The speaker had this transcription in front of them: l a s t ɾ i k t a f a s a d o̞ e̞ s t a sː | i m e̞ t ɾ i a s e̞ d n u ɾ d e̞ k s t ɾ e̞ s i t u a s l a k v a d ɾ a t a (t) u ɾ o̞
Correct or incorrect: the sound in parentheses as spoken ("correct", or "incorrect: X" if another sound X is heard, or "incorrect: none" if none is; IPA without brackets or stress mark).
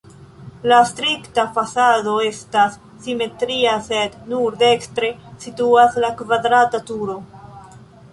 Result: correct